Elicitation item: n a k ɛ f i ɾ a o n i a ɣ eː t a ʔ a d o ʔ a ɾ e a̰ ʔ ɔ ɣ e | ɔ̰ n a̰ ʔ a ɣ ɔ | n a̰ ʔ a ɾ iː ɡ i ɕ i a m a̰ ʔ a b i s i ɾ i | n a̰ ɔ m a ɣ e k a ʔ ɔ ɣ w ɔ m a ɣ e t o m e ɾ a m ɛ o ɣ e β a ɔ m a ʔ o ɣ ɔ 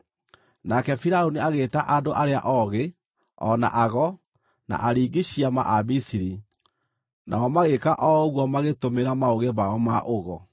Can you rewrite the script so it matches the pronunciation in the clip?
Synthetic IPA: n a k ɛ f i ɾ a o n i a ɣ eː t a ʔ a d o ʔ a ɾ e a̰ ʔ ɔ ɣ e | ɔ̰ n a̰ ʔ a ɣ ɔ | n a̰ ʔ a ɾ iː ɡ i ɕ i a m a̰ ʔ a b i s i ɾ i | n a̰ ɔ m a ɣ e k a ʔ ɔ ɣ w ɔ m a ɣ e t o m e ɾ a m a o ɣ e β a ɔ m a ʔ o ɣ ɔ